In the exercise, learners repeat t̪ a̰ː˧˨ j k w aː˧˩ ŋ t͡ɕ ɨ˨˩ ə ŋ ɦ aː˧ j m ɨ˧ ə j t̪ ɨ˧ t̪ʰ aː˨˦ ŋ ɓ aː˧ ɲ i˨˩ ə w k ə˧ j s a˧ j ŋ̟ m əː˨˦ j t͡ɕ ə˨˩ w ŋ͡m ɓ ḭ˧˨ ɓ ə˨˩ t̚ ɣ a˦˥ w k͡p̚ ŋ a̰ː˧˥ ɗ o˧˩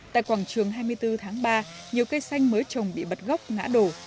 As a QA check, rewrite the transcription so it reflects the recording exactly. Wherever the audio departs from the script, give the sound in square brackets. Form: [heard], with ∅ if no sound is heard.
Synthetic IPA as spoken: t̪ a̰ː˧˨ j k w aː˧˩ ŋ t͡ɕ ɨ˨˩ ə ŋ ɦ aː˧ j m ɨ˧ ə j t̪ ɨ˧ t̪ʰ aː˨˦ ŋ ɓ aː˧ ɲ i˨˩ ə w k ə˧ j s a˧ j ŋ̟ m əː˨˦ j t͡ɕ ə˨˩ w ŋ͡m ɓ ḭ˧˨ ɓ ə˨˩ t̚ ɣ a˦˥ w k͡p̚ ŋ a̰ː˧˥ ɗ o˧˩